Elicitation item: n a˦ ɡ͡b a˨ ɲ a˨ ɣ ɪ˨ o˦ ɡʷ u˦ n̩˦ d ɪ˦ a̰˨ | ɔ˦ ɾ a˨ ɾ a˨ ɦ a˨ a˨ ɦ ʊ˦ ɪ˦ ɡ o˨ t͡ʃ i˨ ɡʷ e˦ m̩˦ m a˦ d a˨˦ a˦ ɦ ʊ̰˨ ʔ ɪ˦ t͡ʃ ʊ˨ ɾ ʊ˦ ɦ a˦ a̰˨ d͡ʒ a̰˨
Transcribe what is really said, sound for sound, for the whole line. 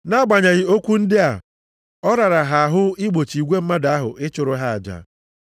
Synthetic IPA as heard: n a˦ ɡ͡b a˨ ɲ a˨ ɣ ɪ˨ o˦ kʷ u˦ n̩˦ d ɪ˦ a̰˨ | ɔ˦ ɾ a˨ ɾ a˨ ɦ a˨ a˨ ɦ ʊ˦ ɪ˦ ɡ͡b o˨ t͡ʃ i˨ ɡʷ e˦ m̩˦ m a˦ d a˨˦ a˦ ɦ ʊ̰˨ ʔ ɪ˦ t͡ʃ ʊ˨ ɾ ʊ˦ ɦ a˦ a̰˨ d͡ʒ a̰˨